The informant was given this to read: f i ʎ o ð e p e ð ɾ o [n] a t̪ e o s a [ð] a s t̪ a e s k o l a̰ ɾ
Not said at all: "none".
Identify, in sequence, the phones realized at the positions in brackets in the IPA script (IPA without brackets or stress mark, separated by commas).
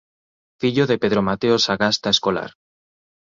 m, ɣ